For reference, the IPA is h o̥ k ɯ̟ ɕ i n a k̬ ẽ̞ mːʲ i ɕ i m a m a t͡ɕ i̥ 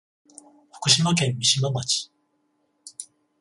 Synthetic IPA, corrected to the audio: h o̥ k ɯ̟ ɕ i m a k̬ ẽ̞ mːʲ i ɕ i m a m a t͡ɕ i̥